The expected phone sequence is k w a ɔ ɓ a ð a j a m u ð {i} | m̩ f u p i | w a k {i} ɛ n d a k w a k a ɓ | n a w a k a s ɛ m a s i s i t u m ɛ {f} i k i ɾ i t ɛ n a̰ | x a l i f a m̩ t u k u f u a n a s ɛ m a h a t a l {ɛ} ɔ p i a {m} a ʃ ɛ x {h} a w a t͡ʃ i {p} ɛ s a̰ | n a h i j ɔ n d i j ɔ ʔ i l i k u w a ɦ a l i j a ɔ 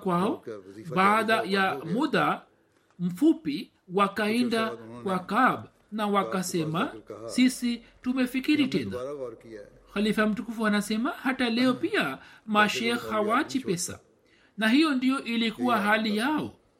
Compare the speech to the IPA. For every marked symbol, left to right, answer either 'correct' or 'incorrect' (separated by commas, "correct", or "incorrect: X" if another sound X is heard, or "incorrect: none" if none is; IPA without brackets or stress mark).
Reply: incorrect: a, incorrect: a, correct, correct, correct, correct, correct